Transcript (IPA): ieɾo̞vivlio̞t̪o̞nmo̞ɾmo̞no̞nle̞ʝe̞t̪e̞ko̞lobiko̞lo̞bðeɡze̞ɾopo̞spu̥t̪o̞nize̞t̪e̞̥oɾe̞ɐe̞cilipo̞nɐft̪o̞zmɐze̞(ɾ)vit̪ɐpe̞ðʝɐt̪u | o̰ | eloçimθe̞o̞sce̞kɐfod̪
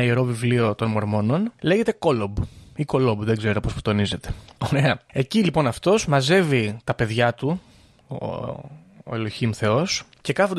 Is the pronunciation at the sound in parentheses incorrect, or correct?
incorrect